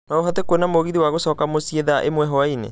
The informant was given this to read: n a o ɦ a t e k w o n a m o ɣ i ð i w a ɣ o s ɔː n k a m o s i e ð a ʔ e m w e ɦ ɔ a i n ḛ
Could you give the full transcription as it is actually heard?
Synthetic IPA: n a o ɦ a t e k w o n a m o ɣ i ð i w a ɣ o s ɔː k a m o s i e ð a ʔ e m w ɛ ɦ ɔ a i n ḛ